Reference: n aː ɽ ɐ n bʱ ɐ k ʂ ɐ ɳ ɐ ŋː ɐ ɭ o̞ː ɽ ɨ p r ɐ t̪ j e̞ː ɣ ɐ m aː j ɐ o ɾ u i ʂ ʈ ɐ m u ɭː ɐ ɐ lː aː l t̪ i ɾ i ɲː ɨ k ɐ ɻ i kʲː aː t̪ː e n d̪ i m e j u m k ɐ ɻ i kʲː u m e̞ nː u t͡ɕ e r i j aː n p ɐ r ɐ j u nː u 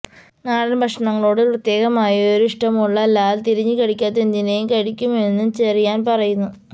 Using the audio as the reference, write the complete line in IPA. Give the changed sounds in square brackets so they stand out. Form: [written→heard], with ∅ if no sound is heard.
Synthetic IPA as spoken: n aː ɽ ɐ n bʱ ɐ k ʂ ɐ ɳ ɐ ŋː ɐ ɭ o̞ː ɽ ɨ p r ɐ t̪ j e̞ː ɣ ɐ m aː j ɐ o ɾ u i ʂ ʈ ɐ m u ɭː ɐ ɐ lː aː l t̪ i ɾ i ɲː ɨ k ɐ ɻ i kʲː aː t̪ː e n d̪ i [m→n] e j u m k ɐ ɻ i kʲː u m e̞ nː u t͡ɕ e r i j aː n p ɐ r ɐ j u nː u